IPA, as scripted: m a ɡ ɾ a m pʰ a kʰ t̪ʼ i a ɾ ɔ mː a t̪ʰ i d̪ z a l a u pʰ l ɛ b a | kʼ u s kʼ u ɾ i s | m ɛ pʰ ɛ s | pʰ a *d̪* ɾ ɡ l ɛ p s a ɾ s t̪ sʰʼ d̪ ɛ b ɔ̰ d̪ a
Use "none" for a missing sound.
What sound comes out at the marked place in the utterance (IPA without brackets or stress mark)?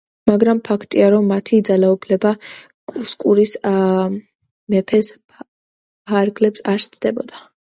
none